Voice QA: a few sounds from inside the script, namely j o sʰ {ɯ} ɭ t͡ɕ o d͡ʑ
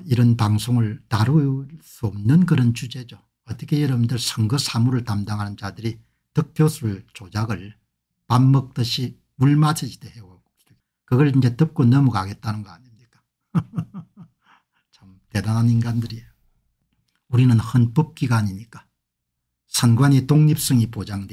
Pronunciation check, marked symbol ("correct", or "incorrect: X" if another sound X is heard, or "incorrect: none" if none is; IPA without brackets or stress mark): incorrect: u